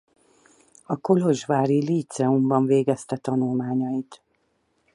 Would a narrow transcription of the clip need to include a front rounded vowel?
no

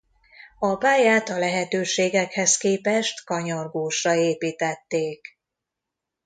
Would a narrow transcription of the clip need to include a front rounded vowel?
yes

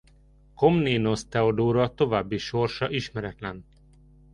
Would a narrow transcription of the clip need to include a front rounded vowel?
no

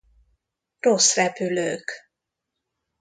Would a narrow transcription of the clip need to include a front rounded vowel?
yes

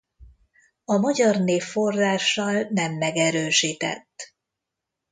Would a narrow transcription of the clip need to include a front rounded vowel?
yes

